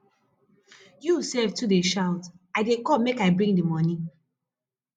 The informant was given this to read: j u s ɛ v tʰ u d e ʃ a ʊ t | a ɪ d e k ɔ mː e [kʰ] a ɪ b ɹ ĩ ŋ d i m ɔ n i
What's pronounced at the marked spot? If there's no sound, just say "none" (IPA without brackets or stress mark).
k